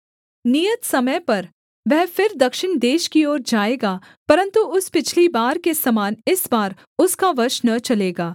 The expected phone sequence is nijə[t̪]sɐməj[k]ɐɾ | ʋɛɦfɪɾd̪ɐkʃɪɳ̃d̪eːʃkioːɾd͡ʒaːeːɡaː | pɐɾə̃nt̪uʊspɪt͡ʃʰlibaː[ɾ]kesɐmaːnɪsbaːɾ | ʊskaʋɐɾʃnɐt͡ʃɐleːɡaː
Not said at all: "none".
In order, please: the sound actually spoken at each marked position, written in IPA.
t̪, p, ɾ

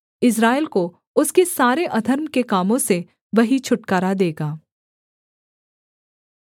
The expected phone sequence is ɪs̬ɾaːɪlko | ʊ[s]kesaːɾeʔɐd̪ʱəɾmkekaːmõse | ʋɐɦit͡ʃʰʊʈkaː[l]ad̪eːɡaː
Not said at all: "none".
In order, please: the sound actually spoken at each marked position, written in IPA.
s, ɾ

